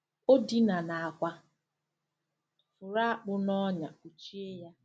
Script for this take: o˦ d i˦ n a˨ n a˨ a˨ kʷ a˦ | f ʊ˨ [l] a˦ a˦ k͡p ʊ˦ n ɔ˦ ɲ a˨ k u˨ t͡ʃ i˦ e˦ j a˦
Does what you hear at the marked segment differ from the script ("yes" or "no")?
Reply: yes